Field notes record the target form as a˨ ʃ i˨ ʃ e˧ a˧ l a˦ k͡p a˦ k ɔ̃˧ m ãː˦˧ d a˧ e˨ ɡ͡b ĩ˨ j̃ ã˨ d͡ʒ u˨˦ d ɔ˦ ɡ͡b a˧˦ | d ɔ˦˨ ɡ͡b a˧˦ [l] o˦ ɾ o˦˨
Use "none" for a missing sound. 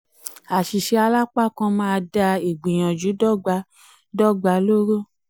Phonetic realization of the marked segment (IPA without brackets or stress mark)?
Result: l